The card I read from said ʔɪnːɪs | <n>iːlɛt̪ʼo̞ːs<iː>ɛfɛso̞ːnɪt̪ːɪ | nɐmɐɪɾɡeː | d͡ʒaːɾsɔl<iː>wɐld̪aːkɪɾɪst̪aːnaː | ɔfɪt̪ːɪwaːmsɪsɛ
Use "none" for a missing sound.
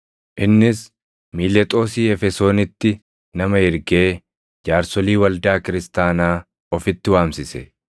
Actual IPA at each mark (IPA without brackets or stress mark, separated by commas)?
m, iː, iː